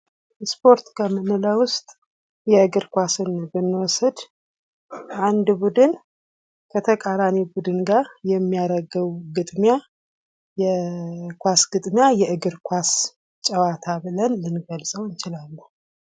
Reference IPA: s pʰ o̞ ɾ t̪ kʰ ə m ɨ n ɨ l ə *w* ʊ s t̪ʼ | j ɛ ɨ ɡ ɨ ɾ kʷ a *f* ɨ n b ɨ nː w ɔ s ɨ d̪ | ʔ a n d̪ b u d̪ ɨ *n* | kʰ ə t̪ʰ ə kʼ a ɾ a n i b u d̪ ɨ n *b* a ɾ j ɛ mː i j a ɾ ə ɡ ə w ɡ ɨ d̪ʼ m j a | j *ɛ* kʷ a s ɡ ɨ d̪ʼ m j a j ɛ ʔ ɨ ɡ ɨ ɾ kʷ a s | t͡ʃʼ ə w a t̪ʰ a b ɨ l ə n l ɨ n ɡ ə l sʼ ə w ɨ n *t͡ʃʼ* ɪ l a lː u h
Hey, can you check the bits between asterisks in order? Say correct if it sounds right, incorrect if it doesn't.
correct, incorrect, correct, incorrect, correct, incorrect

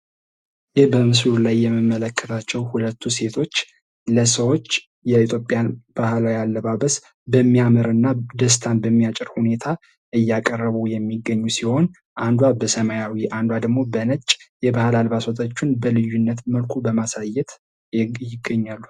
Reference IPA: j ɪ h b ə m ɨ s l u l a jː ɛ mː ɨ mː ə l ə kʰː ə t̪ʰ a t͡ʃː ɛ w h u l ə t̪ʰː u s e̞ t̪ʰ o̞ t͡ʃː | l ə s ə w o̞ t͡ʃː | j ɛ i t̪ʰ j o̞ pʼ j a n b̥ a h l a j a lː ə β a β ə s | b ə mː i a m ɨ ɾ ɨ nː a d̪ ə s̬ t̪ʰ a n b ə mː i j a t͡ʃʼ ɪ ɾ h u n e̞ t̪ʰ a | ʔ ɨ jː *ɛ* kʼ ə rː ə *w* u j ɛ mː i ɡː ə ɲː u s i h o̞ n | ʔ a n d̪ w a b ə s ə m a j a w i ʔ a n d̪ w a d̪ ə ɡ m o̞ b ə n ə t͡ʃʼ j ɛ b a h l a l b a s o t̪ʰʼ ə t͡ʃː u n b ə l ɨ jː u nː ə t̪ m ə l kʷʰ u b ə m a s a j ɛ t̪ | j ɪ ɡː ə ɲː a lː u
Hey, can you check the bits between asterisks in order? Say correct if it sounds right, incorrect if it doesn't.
incorrect, incorrect

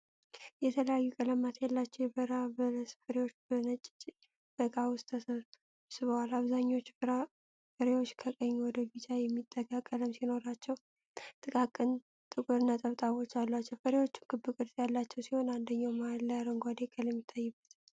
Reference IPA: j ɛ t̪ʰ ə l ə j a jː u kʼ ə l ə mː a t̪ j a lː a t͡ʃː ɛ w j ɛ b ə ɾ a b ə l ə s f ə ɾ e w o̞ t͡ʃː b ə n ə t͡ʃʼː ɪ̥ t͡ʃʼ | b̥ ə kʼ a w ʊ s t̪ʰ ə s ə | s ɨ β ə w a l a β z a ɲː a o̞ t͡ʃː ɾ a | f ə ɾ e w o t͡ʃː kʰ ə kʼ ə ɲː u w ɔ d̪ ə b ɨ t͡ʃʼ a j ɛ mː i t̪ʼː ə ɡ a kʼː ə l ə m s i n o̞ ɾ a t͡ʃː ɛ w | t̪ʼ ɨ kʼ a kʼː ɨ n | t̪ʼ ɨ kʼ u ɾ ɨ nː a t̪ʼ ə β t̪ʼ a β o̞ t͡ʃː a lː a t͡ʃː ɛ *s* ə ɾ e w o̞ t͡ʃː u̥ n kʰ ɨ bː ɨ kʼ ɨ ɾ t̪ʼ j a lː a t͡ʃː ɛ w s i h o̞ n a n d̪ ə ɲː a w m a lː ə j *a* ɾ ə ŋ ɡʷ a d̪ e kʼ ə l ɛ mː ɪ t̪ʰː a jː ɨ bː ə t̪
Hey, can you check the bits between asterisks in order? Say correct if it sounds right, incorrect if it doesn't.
incorrect, correct

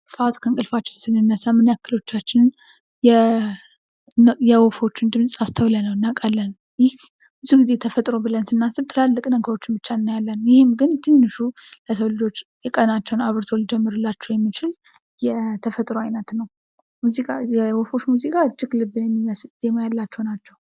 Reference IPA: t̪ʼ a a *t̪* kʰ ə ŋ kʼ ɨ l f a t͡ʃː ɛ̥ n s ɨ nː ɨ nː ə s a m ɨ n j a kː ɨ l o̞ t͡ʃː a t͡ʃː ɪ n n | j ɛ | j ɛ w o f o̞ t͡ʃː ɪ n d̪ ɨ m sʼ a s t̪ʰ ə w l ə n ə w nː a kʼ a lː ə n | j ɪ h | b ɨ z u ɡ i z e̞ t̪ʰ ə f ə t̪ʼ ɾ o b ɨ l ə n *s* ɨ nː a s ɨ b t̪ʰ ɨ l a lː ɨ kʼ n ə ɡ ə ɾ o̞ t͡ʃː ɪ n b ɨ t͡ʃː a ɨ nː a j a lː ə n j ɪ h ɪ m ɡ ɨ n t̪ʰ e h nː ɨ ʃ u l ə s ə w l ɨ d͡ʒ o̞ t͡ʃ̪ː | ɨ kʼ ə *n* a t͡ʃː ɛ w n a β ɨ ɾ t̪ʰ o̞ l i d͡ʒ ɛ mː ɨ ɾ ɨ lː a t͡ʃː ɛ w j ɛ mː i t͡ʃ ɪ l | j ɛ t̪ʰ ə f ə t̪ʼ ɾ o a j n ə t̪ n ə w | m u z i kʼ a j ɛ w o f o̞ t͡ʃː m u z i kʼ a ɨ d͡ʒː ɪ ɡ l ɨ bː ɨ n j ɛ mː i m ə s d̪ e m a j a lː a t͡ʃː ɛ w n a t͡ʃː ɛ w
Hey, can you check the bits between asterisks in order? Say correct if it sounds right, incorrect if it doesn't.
correct, correct, correct

